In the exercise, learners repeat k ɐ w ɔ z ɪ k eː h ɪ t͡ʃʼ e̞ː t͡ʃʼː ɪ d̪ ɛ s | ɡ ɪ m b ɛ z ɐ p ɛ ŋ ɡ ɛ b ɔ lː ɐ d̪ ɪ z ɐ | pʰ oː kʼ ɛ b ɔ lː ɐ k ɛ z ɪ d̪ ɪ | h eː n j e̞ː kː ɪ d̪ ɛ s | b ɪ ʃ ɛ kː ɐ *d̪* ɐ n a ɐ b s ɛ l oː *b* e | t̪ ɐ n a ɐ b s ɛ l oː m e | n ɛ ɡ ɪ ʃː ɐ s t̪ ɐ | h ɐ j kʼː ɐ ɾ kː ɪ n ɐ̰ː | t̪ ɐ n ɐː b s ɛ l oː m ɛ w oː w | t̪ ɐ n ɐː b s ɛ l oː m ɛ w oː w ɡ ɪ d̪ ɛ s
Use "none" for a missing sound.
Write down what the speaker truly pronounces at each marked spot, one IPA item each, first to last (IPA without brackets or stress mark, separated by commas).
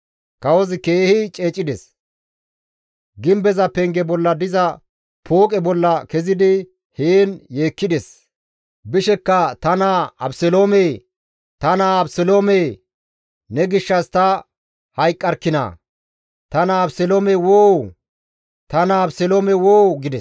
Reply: t̪, m